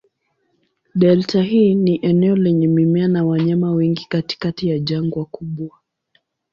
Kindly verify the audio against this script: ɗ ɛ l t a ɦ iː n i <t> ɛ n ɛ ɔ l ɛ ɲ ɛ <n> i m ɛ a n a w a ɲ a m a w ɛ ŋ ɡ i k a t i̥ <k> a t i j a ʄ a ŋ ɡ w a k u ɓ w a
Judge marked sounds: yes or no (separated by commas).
no, no, yes